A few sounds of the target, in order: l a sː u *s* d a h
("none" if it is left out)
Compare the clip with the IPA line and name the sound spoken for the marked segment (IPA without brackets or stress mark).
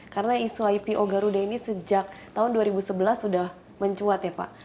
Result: none